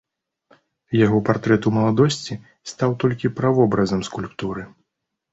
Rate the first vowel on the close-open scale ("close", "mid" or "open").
open